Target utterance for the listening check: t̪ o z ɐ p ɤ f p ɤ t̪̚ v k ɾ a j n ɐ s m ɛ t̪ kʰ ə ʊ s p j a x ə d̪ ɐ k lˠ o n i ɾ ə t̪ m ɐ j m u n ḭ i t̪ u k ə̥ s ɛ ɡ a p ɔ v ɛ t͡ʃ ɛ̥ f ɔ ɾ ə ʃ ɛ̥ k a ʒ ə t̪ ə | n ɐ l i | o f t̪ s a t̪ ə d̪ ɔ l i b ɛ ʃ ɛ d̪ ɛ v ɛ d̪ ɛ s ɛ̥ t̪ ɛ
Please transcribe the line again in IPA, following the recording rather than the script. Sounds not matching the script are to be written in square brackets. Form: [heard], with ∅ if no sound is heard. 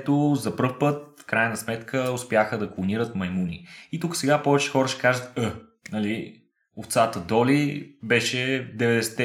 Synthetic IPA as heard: t̪ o z ɐ p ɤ f p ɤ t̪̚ [f] k ɾ a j n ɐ s m ɛ t̪ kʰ ə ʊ s p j a x ə d̪ ɐ k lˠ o n i ɾ ə t̪ m ɐ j m u n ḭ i t̪ u k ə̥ s ɛ ɡ a p ɔ v ɛ t͡ʃ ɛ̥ [x] ɔ ɾ ə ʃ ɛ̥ k a ʒ ə t̪ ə | n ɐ l i | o f t̪ s a t̪ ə d̪ ɔ l i b ɛ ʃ ɛ d̪ ɛ v ɛ d̪ ɛ s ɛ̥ t̪ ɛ